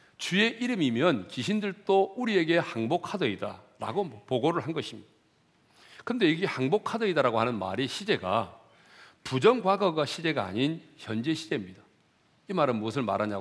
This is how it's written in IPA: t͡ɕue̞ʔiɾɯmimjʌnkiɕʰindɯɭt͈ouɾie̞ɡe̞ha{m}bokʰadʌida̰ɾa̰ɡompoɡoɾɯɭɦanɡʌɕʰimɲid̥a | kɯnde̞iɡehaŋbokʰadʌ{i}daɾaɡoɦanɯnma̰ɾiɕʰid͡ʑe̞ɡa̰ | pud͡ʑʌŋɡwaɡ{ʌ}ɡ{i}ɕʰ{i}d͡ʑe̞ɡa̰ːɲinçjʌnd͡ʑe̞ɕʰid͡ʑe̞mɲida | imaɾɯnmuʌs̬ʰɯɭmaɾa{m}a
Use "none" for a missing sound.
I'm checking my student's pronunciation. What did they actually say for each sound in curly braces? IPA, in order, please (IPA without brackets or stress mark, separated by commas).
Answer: ŋ, i, ʌ, a, i, ɲ